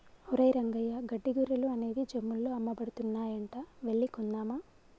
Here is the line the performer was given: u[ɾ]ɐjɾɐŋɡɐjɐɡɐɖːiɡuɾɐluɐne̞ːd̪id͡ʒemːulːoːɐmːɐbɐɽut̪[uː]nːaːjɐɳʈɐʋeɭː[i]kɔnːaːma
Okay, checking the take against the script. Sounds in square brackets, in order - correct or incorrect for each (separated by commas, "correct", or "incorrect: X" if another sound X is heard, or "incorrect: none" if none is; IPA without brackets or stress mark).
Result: correct, incorrect: u, correct